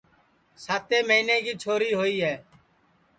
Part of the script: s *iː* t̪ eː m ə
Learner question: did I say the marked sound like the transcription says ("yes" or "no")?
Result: no